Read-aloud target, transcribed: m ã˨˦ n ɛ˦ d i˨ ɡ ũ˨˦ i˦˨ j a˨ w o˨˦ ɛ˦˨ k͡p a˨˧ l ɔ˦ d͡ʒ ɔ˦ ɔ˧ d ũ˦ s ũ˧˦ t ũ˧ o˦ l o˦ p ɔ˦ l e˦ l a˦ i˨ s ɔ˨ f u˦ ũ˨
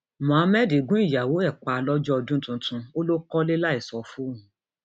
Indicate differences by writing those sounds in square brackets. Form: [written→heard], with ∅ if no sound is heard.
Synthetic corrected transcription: m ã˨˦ [n→m] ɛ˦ d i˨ ɡ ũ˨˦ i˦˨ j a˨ w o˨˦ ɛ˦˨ k͡p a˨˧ l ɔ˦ d͡ʒ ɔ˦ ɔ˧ d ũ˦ [s→t] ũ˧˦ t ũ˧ o˦ l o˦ [p→k] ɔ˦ l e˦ l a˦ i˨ s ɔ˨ f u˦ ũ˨